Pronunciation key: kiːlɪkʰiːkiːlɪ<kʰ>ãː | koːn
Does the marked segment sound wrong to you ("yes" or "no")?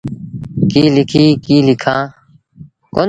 no